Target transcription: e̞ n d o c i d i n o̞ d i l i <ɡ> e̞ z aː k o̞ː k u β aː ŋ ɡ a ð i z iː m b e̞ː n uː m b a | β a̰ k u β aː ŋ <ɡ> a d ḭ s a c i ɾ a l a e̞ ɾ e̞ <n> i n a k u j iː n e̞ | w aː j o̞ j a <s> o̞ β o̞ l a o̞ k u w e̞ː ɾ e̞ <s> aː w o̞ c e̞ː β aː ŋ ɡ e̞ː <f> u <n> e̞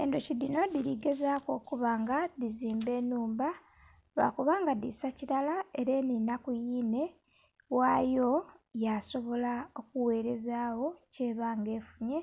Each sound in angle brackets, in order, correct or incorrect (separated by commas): correct, correct, correct, correct, incorrect, correct, incorrect